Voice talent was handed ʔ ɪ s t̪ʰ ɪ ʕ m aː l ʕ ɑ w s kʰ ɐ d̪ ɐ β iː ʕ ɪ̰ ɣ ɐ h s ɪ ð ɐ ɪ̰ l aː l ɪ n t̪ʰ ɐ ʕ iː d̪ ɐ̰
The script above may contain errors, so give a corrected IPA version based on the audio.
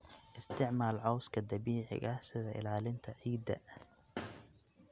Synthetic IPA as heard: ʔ ɪ s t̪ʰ ɪ ʕ m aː l ʕ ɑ w s kʰ ɐ d̪ ɐ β iː ʕ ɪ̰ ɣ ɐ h s ɪ ð ɐ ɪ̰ l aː l ɪ n t̪ʰ ɐ ʕ iː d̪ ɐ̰